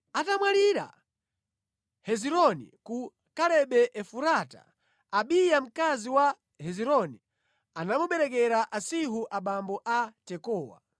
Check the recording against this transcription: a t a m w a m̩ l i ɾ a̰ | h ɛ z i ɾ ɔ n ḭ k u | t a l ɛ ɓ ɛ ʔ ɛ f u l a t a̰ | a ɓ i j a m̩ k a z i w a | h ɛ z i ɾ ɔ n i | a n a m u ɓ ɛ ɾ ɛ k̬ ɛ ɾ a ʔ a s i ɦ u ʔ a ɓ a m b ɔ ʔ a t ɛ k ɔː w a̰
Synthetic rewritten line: a t a m w a l i ɾ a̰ | h ɛ z i ɾ ɔ n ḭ k u | k a l ɛ ɓ ɛ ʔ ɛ f u ɾ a t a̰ | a ɓ i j a m̩ k a z i w a | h ɛ z i ɾ ɔ n i | a n a m u ɓ ɛ ɾ ɛ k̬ ɛ ɾ a ʔ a s i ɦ u ʔ a ɓ a m b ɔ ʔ a t ɛ k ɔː w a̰